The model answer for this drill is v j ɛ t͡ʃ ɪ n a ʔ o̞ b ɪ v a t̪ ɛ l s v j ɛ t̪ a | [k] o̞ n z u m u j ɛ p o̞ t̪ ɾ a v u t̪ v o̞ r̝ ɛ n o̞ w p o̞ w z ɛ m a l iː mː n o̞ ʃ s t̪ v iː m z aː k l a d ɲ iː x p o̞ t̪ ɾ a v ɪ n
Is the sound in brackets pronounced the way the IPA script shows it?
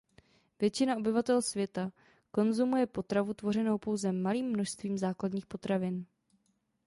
yes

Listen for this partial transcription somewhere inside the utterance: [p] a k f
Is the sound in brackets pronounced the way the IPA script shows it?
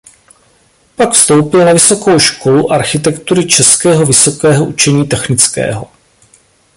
yes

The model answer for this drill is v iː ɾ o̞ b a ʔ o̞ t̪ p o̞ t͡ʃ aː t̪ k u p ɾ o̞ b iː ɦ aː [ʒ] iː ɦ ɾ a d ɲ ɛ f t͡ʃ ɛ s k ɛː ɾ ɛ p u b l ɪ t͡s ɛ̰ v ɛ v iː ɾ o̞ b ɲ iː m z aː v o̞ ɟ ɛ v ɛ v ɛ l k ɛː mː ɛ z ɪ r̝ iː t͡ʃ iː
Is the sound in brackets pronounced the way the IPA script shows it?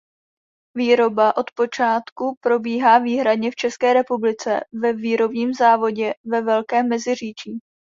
no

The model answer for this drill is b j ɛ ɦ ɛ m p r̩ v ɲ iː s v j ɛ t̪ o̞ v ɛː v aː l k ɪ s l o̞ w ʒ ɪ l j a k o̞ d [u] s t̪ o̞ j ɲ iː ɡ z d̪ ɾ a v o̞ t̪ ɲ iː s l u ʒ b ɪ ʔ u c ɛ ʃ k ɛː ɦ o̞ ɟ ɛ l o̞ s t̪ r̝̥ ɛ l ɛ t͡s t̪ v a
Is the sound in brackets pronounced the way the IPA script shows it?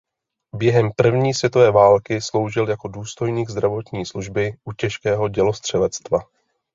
no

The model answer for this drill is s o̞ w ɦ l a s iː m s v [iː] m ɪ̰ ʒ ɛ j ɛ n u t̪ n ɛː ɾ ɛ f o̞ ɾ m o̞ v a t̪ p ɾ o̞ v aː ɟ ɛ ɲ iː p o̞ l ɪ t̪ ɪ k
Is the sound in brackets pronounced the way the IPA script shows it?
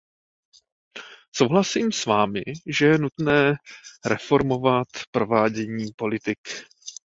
no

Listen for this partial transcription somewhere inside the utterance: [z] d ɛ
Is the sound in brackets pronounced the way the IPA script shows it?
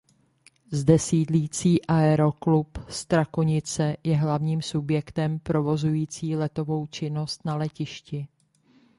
yes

